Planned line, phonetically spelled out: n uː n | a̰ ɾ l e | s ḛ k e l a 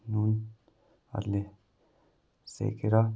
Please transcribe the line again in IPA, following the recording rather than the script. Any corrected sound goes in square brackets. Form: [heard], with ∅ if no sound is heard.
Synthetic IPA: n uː n | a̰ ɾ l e | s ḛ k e [ɾ] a